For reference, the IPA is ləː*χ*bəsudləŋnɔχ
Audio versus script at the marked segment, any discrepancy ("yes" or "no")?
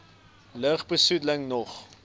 no